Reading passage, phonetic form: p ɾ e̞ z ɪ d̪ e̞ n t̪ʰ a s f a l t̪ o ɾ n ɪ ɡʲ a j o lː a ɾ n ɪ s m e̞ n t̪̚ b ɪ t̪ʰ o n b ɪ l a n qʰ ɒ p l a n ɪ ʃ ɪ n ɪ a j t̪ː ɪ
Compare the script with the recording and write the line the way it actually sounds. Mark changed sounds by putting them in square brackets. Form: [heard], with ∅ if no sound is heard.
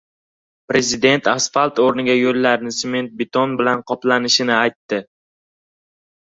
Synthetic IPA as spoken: p ɾ e̞ z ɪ d̪ e̞ n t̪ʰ a s f a l t̪ o ɾ n ɪ ɡʲ a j o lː a ɾ n ɪ s m e̞ n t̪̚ b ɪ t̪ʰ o n b ɪ l a n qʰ ɒ p l a n ɪ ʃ ɪ n ɪ a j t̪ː ɪ